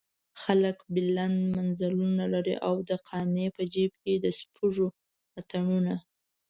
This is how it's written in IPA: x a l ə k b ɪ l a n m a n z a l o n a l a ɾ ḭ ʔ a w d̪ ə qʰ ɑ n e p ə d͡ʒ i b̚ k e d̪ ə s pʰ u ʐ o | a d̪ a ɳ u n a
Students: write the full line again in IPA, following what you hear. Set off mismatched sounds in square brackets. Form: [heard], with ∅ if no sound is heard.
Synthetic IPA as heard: x a l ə k b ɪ l a n m a n z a l [u] n a l a ɾ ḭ ʔ a w d̪ ə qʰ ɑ n e p ə d͡ʒ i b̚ k e d̪ ə s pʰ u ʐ o | a [t̪] a ɳ u n a